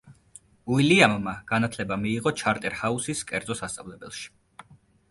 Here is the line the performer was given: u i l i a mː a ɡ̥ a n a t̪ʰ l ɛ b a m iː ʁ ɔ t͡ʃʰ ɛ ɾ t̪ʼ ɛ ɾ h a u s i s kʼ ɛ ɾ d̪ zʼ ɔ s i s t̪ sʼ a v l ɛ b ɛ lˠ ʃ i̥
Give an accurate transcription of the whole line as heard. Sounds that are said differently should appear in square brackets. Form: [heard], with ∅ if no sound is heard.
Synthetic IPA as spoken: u i l i a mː a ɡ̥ a n a t̪ʰ l ɛ b a m iː ʁ ɔ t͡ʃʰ [a] ɾ t̪ʼ ɛ ɾ h a u s i s kʼ ɛ ɾ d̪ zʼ ɔ s [a] s t̪ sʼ a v l ɛ b ɛ lˠ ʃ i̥